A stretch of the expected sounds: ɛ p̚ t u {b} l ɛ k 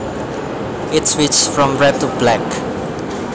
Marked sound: correct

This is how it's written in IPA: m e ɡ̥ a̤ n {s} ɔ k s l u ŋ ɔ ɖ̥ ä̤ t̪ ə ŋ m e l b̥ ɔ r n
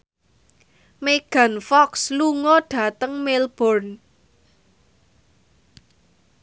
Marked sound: incorrect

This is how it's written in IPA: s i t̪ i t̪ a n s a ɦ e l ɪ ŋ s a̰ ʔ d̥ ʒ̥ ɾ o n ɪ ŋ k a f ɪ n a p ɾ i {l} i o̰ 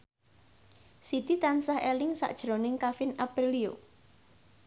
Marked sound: correct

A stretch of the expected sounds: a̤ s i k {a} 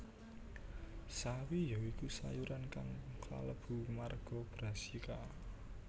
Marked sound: correct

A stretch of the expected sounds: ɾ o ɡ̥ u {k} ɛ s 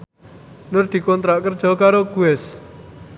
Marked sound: incorrect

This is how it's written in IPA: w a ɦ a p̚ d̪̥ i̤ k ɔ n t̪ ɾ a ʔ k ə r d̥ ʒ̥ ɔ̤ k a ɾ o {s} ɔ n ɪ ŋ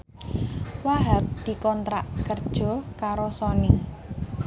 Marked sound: correct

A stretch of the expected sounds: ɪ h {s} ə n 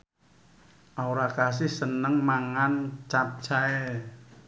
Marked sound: correct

